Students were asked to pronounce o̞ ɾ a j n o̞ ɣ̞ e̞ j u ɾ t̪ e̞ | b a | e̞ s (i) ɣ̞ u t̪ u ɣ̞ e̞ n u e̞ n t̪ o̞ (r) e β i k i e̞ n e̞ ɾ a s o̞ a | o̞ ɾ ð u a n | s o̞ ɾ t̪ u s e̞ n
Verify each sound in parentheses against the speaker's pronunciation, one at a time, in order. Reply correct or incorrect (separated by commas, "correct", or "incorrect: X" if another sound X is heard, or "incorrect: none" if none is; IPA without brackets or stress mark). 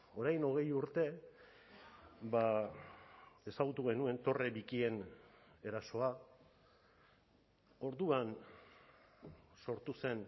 incorrect: a, correct